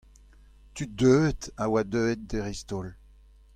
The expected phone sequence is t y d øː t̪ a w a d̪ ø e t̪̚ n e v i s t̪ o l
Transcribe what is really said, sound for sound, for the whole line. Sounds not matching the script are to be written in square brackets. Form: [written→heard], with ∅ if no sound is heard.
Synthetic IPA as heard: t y d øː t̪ a w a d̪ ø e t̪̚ [n→d] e [v→ʁ] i s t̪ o l